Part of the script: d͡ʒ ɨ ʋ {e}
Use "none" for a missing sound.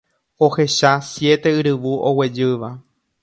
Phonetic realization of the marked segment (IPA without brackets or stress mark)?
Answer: a